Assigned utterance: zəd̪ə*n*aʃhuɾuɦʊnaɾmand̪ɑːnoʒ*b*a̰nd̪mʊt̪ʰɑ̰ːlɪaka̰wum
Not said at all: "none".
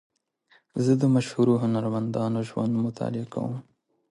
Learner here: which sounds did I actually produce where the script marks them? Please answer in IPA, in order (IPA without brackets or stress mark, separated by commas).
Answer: m, w